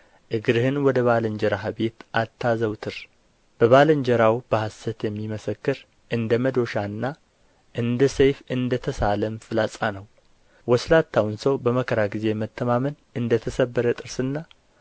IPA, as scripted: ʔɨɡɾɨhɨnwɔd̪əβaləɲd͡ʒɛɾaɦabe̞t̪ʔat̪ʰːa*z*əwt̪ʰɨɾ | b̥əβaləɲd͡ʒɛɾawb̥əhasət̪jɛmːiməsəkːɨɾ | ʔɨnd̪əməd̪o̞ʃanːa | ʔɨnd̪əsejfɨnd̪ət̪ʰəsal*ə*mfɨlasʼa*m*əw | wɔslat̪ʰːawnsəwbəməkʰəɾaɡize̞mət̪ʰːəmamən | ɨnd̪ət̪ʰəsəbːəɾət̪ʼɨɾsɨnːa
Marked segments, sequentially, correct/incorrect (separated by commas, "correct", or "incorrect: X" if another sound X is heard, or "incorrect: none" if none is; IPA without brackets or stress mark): correct, correct, incorrect: n